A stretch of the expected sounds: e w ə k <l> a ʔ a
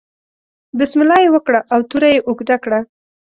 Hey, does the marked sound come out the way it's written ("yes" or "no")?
no